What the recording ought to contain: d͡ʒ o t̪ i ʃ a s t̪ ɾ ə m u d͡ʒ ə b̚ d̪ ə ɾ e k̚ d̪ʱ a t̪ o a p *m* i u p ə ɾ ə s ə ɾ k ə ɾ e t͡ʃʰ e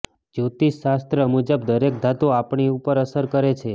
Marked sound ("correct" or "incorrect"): incorrect